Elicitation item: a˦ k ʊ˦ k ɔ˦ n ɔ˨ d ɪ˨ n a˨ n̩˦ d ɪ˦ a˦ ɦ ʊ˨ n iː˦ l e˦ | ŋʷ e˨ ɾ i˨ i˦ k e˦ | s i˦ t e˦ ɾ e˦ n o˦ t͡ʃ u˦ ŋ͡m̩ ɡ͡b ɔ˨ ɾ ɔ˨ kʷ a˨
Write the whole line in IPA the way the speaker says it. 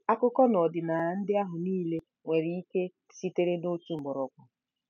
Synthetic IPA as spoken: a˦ k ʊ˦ k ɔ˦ n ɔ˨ d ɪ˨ n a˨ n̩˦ d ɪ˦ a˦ ɦ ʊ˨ n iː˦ l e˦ | ŋʷ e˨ ɾ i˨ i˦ k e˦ | s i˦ t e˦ ɾ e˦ n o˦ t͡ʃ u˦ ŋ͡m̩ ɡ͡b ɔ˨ ɾ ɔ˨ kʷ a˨